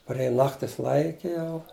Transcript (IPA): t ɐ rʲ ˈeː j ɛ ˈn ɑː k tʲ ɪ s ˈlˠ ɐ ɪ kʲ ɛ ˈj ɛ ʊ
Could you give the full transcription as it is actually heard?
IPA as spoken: p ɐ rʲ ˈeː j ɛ ˈn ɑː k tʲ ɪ s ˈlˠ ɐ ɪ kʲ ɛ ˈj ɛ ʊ